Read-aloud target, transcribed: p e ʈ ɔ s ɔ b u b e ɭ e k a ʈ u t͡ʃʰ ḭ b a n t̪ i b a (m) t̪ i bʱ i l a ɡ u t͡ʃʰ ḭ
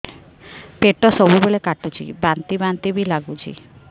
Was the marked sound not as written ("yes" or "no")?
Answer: yes